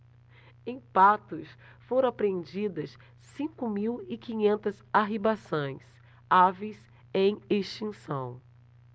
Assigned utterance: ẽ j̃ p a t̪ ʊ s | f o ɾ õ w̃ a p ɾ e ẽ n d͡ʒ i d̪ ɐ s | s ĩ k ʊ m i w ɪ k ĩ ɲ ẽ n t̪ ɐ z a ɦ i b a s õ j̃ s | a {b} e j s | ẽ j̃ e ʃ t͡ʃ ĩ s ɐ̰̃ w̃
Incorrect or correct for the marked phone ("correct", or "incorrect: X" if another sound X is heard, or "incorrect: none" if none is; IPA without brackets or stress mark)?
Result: incorrect: v